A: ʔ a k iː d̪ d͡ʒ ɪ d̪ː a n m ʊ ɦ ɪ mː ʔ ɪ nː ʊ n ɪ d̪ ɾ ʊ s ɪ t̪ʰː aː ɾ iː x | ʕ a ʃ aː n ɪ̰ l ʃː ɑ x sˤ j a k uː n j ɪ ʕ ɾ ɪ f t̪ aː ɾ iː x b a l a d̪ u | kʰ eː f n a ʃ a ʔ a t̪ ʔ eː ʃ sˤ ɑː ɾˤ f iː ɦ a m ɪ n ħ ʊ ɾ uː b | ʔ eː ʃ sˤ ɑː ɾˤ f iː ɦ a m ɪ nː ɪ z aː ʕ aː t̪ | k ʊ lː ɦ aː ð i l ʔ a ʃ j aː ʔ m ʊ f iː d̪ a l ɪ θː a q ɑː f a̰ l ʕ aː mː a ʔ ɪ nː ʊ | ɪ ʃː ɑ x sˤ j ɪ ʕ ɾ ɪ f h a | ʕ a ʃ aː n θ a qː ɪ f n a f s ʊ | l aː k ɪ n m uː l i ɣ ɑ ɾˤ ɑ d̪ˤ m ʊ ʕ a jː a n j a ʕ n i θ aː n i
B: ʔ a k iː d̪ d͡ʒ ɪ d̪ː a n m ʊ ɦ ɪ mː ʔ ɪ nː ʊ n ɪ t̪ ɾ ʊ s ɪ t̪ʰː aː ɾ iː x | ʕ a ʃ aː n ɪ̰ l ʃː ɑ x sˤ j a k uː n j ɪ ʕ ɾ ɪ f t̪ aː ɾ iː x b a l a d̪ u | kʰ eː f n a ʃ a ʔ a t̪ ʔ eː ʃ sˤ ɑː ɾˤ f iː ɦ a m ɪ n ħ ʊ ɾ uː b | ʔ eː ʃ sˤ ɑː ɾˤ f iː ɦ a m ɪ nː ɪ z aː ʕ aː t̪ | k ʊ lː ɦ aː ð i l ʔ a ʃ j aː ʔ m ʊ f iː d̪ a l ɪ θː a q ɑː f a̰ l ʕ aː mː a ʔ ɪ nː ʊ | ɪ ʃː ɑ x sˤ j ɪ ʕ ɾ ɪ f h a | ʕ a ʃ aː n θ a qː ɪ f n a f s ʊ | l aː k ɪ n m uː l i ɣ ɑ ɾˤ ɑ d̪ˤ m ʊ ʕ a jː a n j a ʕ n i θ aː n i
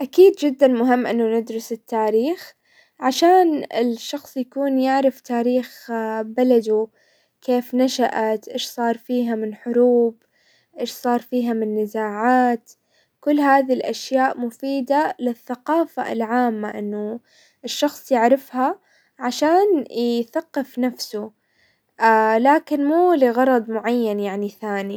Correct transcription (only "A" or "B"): A